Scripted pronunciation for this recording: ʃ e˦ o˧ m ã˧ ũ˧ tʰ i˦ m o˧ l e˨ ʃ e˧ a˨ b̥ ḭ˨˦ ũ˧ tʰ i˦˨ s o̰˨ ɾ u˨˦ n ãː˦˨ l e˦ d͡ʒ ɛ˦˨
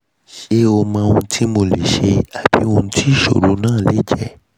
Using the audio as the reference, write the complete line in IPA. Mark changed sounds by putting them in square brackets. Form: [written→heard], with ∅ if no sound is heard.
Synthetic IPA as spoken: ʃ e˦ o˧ m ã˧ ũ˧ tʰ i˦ m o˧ l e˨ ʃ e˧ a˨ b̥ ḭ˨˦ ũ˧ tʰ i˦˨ [s→ʃ] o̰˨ ɾ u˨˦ n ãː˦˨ l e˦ d͡ʒ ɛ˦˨